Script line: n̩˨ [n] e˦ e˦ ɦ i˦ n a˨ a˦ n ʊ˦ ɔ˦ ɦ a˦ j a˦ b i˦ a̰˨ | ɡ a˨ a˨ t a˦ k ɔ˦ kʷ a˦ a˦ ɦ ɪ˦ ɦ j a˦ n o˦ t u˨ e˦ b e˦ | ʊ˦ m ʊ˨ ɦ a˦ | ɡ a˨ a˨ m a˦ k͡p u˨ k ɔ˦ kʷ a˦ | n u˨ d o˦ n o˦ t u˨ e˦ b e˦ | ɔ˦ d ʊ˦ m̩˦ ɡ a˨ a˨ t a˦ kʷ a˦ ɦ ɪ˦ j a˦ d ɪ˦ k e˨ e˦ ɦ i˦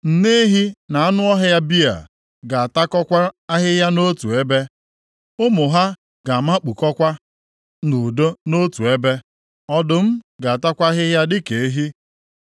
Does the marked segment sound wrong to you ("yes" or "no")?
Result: no